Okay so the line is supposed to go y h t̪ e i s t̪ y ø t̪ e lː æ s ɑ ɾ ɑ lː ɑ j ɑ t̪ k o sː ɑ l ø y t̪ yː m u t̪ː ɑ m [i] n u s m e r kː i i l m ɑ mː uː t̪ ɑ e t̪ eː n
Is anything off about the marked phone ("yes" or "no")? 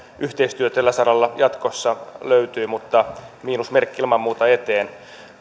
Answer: yes